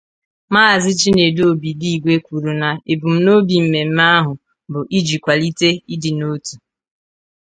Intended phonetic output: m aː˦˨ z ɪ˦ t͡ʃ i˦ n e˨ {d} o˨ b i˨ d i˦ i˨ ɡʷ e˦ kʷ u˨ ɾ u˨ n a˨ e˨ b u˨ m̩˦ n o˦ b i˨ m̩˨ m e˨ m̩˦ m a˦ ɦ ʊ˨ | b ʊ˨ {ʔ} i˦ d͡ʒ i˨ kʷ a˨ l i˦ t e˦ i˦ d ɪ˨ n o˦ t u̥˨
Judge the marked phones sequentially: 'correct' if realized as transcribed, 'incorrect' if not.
correct, correct

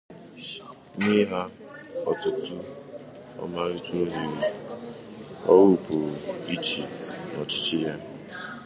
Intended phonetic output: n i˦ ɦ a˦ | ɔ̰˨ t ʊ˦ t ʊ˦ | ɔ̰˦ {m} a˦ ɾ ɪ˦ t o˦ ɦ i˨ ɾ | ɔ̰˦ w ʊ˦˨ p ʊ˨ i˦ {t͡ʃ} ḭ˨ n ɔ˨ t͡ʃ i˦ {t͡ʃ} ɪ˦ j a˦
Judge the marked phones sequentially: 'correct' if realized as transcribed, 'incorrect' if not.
correct, correct, correct

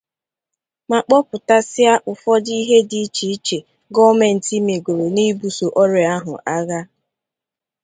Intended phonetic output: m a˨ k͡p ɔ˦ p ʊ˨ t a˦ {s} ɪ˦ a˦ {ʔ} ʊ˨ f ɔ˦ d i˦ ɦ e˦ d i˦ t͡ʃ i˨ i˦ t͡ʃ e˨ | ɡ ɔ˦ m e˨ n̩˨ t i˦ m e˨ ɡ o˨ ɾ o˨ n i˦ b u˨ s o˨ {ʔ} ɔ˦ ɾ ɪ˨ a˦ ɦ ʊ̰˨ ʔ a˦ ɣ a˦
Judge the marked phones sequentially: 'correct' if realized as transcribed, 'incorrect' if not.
correct, correct, correct

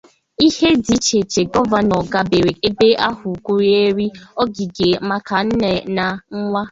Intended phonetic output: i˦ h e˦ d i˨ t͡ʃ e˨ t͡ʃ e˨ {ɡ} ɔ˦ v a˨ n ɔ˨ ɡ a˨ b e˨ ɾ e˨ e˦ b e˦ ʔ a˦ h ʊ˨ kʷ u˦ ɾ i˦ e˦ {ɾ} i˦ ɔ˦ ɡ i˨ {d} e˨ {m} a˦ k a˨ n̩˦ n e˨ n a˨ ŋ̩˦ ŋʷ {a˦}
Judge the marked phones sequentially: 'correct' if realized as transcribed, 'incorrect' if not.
correct, correct, incorrect, correct, correct

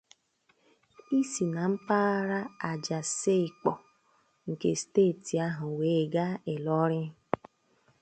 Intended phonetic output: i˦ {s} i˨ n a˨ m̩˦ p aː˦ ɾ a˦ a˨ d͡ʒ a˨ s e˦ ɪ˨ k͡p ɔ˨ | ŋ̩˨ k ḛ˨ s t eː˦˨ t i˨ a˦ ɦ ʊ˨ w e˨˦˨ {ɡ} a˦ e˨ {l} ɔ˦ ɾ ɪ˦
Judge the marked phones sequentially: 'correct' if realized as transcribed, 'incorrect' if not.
correct, correct, correct

